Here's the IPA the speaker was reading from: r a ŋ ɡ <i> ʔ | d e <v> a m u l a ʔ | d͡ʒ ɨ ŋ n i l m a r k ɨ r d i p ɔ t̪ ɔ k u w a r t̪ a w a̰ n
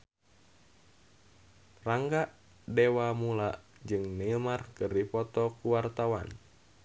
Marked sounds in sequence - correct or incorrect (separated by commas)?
incorrect, incorrect